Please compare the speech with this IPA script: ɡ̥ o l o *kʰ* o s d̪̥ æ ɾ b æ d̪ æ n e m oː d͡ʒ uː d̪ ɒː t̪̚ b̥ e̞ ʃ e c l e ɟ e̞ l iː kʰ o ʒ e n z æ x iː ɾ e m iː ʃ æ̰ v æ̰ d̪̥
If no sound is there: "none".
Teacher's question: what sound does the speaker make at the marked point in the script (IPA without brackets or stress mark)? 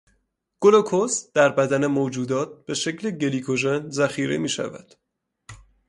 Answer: kʰ